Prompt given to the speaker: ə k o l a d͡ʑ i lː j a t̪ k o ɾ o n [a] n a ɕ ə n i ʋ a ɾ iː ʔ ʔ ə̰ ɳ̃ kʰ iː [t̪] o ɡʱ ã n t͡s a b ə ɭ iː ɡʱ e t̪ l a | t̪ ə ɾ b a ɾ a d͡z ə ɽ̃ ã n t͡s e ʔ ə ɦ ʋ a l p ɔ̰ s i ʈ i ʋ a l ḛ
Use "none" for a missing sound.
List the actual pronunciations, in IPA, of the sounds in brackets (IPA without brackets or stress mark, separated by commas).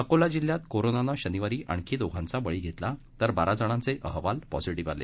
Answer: a, d̪